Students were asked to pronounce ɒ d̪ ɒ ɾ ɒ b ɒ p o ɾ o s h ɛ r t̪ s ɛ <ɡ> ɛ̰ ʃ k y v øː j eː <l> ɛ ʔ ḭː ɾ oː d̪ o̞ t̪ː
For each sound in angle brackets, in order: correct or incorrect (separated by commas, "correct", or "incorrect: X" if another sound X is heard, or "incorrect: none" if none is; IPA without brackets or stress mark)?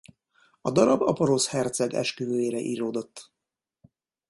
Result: correct, incorrect: ɾ